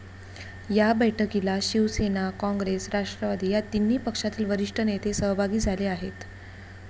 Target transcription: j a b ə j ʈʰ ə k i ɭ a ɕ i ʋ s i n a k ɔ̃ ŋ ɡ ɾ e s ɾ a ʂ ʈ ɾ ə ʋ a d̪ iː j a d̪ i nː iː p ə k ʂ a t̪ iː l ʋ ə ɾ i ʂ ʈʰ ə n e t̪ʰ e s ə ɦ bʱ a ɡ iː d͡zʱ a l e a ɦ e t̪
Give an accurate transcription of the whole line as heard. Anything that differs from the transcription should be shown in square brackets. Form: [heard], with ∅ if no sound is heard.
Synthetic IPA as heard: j a b ə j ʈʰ ə k i [l] a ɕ i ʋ s [e] n a k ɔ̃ ŋ ɡ ɾ e s ɾ a ʂ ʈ ɾ ə ʋ a d̪ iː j a [t̪] i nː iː p ə k ʂ a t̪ iː l ʋ ə ɾ i ʂ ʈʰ ə n e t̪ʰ e s ə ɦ bʱ a ɡ iː d͡zʱ a l e a ɦ e t̪